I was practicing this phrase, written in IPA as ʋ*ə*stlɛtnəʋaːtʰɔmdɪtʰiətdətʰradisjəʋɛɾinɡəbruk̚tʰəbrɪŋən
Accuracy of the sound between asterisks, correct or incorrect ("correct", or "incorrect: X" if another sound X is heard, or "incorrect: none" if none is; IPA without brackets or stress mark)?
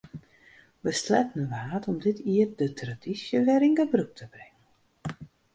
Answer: correct